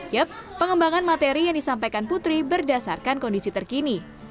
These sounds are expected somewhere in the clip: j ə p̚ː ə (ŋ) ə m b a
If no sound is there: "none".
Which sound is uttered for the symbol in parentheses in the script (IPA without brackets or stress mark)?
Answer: ŋ